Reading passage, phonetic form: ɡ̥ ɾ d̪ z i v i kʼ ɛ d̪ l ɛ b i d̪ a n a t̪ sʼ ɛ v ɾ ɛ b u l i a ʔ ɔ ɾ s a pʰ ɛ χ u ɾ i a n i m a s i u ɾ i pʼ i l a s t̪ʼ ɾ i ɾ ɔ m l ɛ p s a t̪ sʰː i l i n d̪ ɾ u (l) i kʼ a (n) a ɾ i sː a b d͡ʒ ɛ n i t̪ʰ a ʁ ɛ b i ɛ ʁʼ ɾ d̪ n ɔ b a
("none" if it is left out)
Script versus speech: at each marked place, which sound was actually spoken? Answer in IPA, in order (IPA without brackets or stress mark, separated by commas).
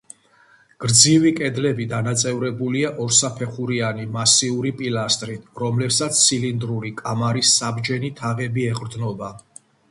ɾ, m